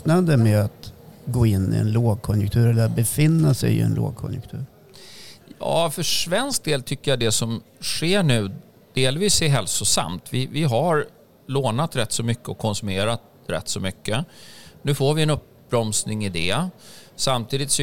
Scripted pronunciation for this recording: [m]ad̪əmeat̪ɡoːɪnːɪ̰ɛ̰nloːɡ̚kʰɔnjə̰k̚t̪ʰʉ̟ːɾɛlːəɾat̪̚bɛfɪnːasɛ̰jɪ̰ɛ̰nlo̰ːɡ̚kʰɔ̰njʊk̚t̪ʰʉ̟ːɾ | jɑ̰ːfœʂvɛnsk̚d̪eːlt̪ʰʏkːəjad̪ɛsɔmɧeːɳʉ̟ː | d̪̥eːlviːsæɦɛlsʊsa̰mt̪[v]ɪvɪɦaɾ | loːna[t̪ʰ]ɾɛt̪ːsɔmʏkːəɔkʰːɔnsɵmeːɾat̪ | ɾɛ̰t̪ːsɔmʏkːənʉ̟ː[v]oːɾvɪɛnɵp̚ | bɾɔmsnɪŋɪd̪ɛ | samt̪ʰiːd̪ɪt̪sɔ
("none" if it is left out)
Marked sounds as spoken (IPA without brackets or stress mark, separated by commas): n, v, t̪, f